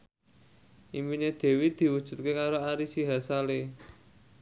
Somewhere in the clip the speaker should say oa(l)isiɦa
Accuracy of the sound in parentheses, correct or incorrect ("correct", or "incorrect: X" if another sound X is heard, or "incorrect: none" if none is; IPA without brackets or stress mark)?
incorrect: ɾ